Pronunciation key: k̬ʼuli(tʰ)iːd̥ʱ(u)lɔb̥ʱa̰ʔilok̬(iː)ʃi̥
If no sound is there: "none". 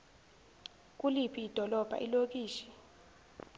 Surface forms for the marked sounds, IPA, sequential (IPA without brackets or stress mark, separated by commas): pʰ, ɔ, iː